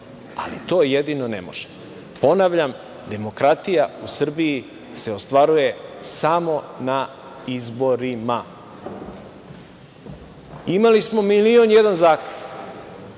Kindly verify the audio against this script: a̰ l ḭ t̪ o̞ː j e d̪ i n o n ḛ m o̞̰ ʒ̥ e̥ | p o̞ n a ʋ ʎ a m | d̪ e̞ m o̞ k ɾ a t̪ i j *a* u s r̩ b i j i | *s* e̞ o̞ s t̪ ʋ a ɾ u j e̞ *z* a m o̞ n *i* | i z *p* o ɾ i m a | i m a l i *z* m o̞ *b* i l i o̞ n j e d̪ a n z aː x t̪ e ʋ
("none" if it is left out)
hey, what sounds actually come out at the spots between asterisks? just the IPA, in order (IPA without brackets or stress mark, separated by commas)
a, s, s, a, b, s, m